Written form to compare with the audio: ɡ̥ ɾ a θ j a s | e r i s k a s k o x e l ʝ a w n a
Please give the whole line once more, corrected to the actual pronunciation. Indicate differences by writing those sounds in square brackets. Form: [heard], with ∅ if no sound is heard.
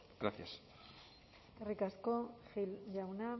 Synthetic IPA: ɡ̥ ɾ a θ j a s | e r i [∅] k a s k o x [i] l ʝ a w n a